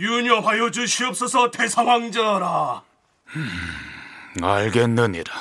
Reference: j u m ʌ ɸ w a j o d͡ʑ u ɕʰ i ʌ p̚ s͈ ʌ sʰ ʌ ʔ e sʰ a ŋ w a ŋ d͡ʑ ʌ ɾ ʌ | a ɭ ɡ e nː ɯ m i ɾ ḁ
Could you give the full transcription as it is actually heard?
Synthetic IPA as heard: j u ɲ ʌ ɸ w a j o d͡ʑ u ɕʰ i ʌ p̚ s͈ ʌ sʰ ʌ t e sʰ a ŋ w a ŋ d͡ʑ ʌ ɾ a | a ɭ ɡ e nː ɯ ɲ i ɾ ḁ